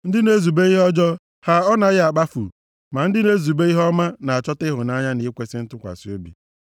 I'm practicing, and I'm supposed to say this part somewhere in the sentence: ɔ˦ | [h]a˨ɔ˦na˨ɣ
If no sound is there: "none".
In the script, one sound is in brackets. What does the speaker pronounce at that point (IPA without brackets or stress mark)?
h